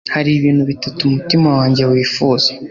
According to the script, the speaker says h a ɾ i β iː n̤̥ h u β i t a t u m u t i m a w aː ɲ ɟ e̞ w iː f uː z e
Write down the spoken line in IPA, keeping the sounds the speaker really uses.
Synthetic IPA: h a ɾ i β iː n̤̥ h u β i t a t u m u t i m a w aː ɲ ɟ e̞ w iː f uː z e